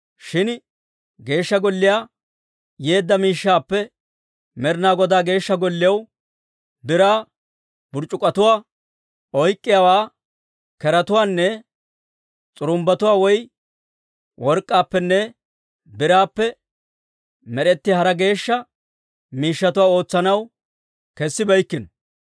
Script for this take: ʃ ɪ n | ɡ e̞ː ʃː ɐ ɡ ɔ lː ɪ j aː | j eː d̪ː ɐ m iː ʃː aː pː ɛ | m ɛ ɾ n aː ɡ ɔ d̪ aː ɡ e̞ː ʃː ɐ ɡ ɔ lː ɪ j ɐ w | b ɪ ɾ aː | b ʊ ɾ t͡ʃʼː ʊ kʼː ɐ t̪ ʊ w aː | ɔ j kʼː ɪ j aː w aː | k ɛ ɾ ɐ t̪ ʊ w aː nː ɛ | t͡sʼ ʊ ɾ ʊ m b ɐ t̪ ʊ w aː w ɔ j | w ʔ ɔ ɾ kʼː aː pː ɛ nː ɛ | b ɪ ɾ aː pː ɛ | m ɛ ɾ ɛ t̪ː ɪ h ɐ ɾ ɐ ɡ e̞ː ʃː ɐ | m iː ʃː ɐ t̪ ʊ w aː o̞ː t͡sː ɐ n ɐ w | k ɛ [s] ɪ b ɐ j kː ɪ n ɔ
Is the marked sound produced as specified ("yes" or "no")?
no